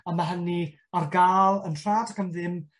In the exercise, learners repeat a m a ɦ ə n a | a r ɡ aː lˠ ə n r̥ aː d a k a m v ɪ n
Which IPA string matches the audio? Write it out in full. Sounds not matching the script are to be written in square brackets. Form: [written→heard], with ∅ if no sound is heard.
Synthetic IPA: a m a ɦ ə n [a→i] | a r ɡ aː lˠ ə n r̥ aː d a k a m [v→ð] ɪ [n→m]